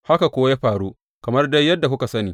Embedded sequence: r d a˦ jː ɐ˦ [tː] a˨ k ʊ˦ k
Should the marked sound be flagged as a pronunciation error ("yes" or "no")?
yes